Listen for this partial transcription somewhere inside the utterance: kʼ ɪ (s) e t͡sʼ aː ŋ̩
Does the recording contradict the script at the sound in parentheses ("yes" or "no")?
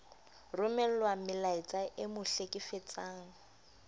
yes